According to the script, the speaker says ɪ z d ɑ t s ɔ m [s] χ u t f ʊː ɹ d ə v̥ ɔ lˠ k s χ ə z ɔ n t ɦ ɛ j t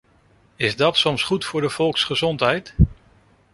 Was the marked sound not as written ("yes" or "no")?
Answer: no